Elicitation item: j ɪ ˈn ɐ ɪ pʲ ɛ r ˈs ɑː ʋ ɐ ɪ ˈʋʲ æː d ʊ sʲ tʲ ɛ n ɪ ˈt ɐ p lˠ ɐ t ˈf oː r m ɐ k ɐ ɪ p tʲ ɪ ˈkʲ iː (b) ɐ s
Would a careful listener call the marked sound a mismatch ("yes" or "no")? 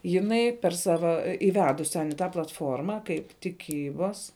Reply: no